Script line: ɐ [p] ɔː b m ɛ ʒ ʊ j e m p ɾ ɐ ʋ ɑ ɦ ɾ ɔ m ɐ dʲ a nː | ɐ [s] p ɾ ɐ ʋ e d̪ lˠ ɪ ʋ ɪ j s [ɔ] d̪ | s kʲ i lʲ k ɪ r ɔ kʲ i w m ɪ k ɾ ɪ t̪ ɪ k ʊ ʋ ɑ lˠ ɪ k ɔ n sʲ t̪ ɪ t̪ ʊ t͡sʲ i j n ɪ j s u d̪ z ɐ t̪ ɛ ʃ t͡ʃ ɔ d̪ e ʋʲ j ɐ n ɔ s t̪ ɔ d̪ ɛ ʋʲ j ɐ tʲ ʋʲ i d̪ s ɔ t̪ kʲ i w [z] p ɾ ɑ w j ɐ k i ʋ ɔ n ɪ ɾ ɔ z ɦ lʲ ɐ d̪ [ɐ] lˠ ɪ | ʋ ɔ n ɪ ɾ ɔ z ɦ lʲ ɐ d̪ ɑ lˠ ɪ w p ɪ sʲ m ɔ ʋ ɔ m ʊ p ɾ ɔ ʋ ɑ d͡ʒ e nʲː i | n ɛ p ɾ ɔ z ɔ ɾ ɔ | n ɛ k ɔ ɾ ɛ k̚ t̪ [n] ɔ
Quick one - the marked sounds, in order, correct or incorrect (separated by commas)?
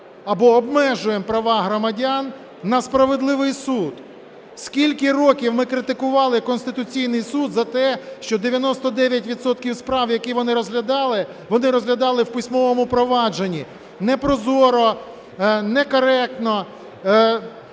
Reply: incorrect, correct, incorrect, incorrect, incorrect, correct